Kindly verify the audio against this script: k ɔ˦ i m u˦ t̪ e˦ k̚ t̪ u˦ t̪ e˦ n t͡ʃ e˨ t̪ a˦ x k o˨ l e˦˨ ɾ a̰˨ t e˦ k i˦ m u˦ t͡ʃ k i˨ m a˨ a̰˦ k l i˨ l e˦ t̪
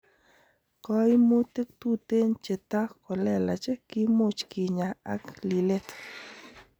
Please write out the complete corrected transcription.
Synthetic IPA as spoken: k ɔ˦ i m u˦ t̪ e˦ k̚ t̪ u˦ t̪ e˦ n t͡ʃ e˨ t̪ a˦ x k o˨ l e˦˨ l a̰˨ t͡ʃ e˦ k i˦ m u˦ t͡ʃ k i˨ ɲ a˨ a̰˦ k l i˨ l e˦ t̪